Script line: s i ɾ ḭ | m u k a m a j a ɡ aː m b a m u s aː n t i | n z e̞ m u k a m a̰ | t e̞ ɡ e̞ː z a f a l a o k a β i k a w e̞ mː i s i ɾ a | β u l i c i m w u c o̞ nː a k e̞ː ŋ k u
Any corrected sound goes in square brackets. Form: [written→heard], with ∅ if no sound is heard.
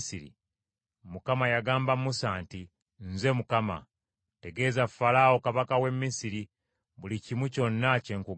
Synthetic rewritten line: s i ɾ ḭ | m u k a m a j a ɡ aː m b a m u s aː n t i | n z e̞ m u k a m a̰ | t e̞ ɡ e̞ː z a f a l a o k a β [i→a] k a w e̞ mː i s i ɾ [a→i] | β u l i c i m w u c o̞ nː a [k→c] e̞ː ŋ k u